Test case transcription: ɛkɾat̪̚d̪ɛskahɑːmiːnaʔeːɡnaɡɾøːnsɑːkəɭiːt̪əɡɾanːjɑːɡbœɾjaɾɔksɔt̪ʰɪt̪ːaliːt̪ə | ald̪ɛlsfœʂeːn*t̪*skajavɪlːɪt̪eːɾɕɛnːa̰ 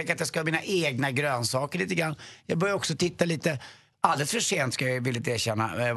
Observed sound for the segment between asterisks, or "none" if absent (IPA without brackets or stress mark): t̪